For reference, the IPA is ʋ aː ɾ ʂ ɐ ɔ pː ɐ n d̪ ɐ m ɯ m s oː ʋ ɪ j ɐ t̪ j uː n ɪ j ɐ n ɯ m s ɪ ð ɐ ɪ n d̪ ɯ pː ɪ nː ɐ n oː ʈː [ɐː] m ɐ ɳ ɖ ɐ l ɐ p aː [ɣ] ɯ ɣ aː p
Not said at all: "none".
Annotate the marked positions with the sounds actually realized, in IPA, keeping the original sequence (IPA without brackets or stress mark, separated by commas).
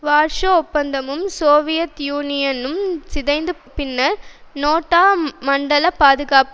aː, ð